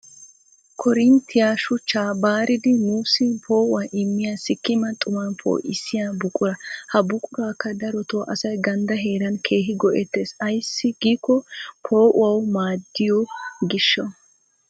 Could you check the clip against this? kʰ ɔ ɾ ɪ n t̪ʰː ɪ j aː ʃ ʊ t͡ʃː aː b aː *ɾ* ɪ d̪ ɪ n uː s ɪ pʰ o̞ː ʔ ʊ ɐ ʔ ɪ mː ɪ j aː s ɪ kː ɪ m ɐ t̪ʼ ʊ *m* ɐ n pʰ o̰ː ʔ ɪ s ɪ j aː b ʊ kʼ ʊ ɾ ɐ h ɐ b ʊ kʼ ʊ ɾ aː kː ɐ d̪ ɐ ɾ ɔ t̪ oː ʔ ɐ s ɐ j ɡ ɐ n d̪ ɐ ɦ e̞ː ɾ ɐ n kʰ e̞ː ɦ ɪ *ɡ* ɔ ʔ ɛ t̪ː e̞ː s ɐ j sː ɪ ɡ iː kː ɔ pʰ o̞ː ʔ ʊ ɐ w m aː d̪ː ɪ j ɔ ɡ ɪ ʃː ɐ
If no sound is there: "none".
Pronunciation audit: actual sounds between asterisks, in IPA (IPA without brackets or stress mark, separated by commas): ɾ, m, ɡ